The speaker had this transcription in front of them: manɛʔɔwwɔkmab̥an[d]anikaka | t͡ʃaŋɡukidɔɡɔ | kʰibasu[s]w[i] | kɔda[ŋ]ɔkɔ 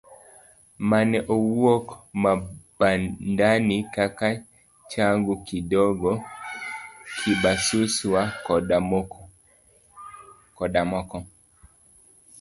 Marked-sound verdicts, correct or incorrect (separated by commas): correct, correct, incorrect, incorrect